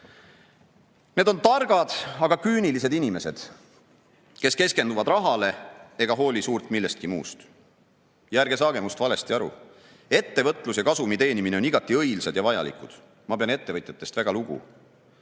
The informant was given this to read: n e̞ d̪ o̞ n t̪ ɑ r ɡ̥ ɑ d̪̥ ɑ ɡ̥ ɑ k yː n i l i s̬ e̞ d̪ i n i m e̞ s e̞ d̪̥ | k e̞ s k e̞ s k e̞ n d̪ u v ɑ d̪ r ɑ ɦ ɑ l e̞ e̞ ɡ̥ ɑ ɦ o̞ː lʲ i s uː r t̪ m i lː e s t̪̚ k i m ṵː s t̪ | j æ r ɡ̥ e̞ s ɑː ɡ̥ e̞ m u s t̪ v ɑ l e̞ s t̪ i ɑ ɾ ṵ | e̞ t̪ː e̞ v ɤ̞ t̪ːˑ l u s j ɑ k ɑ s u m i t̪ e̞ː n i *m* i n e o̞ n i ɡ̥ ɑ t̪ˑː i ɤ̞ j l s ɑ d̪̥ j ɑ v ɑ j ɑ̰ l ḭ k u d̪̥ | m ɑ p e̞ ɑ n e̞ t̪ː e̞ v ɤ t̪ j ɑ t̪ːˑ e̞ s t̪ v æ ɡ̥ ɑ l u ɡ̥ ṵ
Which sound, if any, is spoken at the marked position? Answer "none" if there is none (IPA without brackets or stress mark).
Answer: m